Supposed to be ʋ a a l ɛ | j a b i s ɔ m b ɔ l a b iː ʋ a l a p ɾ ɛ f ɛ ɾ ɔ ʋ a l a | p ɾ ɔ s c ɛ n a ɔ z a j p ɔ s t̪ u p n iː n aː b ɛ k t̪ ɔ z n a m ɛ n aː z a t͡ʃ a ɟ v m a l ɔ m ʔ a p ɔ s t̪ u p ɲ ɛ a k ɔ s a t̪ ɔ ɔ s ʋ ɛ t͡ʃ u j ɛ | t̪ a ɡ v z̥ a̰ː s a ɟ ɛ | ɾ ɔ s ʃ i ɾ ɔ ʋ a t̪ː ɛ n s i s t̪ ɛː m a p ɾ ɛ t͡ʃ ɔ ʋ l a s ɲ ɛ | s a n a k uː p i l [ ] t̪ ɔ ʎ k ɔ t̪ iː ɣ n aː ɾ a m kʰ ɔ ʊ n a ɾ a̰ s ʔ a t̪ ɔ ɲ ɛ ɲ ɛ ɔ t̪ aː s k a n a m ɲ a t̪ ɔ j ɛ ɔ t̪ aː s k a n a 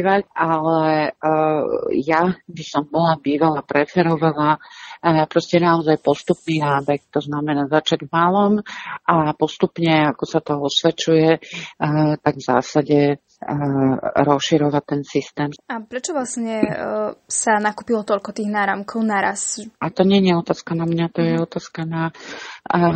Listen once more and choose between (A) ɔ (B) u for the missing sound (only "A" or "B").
A